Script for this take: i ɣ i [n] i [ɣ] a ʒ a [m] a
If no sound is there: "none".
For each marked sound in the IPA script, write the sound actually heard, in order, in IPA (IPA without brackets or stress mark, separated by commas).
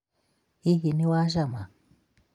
n, w, m